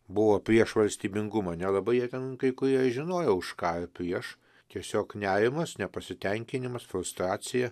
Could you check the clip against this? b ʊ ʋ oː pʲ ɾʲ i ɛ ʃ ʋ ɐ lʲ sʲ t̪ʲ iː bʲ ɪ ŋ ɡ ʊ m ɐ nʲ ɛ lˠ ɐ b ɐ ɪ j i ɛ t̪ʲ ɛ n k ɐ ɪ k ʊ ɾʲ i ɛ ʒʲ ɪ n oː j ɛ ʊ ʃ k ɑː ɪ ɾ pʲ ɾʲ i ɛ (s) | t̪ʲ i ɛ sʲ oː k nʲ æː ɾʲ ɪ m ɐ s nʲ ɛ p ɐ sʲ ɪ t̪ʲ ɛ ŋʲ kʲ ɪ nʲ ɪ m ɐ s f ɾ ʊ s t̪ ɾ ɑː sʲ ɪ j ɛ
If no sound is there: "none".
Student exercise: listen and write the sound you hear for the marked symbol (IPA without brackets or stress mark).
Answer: ʃ